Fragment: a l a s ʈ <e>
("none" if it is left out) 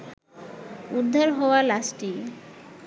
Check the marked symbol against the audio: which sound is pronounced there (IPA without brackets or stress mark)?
i